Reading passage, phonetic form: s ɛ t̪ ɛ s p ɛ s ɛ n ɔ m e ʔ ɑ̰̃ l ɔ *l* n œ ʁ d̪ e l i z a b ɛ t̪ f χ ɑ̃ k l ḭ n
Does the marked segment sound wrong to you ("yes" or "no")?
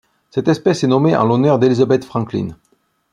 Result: yes